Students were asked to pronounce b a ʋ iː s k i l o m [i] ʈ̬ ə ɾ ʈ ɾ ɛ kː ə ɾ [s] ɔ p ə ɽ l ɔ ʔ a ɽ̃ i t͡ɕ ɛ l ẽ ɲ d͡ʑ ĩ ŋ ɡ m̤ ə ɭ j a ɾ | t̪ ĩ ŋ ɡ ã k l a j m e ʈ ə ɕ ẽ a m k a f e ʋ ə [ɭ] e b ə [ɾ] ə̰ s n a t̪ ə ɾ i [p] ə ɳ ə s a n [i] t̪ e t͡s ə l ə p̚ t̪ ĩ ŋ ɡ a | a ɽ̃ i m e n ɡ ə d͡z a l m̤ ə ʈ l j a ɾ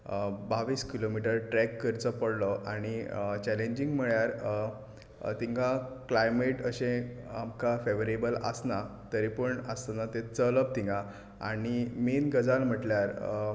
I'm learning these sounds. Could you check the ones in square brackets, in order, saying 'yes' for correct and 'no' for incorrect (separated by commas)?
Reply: yes, no, no, no, yes, no